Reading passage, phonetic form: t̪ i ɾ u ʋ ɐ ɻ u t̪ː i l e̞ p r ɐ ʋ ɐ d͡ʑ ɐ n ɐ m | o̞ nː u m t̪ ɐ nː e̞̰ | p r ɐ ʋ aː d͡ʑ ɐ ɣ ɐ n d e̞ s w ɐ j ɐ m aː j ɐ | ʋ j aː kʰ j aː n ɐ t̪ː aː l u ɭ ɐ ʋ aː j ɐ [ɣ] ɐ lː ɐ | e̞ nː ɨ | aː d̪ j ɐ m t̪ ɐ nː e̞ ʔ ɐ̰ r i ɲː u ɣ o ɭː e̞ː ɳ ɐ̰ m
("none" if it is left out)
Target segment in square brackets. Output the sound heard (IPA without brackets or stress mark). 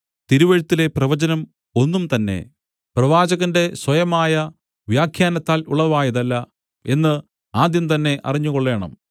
ð